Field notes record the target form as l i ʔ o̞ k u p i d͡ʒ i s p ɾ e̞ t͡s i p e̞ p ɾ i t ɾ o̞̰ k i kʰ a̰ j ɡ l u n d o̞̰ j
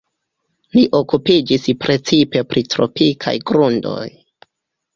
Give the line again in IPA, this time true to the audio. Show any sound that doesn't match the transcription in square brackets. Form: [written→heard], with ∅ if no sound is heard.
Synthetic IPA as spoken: l i ʔ o̞ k u p i d͡ʒ i s p ɾ e̞ t͡s i p e̞ p ɾ i t ɾ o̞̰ [k→p] i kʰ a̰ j ɡ [l→ɾ] u n d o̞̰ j

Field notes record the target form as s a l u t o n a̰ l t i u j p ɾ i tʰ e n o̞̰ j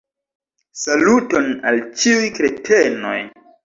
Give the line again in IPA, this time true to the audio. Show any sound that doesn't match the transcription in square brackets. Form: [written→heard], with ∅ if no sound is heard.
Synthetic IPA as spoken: s a l u t o n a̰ l [t→t͡ʃ] i u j [p→k] ɾ [i→e] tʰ e n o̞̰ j

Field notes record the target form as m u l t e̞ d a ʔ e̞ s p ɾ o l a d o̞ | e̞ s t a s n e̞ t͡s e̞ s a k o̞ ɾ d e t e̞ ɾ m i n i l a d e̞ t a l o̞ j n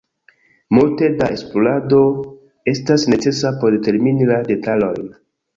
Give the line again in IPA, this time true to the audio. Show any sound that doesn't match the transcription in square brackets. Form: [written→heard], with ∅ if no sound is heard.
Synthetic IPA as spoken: m u l t e̞ d a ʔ e̞ s p [ɾ→l] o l a d o̞ | e̞ s t a s n e̞ t͡s e̞ s a [k→p] o̞ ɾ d e t e̞ ɾ m i n i l a d e̞ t a l o̞ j n

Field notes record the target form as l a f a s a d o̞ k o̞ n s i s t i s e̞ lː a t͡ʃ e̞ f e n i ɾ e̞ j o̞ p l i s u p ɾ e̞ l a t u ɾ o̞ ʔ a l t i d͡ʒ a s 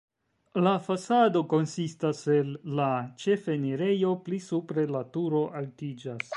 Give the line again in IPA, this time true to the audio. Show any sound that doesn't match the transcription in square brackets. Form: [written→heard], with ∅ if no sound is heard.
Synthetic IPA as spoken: l a f a s a d o̞ k o̞ n s i s t [i→a] s e̞ lː a t͡ʃ e̞ f e n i ɾ e̞ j o̞ p l i s u p ɾ e̞ l a t u ɾ o̞ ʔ a l t i d͡ʒ a s

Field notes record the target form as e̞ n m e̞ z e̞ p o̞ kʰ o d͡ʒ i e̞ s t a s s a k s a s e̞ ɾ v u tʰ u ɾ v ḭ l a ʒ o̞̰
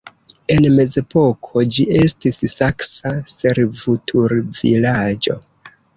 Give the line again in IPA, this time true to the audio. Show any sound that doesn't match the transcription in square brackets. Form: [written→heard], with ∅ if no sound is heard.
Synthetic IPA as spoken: e̞ n m e̞ z e̞ p o̞ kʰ o d͡ʒ i e̞ s t [a→i] s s a k s a s e̞ ɾ v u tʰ u ɾ v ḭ l a [ʒ→d͡ʒ] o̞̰

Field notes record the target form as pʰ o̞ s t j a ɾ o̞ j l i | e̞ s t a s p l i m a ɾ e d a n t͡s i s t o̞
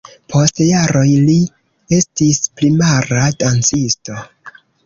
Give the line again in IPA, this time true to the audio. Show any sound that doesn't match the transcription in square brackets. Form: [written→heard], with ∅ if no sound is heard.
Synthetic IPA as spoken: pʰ o̞ s t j a ɾ o̞ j l i | e̞ s t [a→i] s p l i m a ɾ [e→a] d a n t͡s i s t o̞

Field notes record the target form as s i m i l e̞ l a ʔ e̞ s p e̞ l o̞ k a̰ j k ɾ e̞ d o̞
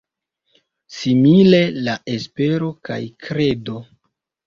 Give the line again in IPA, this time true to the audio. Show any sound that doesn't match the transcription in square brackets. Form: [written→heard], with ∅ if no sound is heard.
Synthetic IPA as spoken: s i m i l e̞ l a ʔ e̞ s p e̞ [l→ɾ] o̞ k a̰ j k ɾ e̞ d o̞

